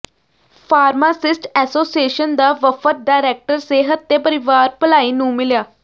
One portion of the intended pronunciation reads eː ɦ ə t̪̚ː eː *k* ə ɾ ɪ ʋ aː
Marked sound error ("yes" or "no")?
yes